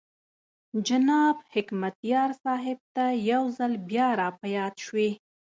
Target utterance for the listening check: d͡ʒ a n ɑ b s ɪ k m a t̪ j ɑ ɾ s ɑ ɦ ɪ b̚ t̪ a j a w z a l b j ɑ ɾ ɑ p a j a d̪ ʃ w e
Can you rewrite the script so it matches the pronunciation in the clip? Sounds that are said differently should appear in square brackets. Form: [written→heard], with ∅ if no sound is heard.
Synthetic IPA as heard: d͡ʒ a n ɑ b [s→h] ɪ k m a t̪ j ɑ ɾ s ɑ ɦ ɪ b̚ t̪ a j a w z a l b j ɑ ɾ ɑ p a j [a→ɑ] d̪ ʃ w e

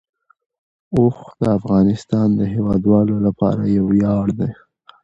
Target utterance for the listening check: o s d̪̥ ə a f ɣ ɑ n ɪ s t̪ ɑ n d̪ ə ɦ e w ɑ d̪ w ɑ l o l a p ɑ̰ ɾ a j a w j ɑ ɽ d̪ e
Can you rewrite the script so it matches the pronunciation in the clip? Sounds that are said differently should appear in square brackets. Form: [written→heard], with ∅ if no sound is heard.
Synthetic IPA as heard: o [s→x] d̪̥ ə a f ɣ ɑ n ɪ s t̪ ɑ n d̪ ə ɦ e w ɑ d̪ w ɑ l o l a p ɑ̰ ɾ a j a w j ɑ ɽ d̪ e

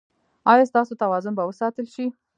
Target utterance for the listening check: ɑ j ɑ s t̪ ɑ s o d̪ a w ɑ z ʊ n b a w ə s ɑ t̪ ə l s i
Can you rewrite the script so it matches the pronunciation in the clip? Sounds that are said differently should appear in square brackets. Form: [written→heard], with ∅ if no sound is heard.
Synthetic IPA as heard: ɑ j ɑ s t̪ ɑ s o [d̪→t̪] a w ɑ z ʊ n b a w ə s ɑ t̪ ə l [s→ʃ] i

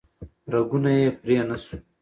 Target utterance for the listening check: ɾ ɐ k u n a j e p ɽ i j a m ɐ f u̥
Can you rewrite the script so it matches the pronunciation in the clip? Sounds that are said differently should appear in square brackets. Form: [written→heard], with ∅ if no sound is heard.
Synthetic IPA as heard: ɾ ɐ [k→ɡ] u n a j e p [ɽ→ɾ] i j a [m→n] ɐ [f→s] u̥

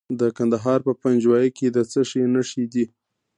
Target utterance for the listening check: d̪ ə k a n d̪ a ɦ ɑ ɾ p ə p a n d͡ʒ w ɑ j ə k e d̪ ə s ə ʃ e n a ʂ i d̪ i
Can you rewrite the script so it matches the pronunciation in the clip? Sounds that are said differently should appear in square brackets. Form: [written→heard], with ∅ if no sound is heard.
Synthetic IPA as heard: d̪ ə k a n d̪ a ɦ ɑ ɾ p ə p a n d͡ʒ w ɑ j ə k e d̪ ə [s→t͡s] ə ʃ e n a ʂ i d̪ i

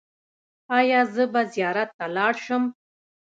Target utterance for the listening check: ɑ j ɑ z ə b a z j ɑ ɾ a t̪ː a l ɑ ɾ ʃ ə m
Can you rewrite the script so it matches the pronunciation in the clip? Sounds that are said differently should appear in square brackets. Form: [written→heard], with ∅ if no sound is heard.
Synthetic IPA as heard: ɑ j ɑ z ə b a z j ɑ ɾ a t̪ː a l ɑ [ɾ→ɽ] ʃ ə m

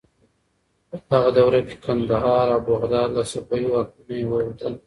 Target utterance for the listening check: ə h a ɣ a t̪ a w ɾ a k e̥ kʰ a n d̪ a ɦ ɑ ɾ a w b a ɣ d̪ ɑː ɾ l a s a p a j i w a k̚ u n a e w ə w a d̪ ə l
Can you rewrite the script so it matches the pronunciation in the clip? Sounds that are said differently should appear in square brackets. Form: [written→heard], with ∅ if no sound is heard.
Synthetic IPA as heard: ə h a ɣ a [t̪→d̪] a w ɾ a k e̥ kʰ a n d̪ a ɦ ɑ ɾ a w b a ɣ d̪ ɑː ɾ l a s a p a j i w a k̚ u n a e w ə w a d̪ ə l

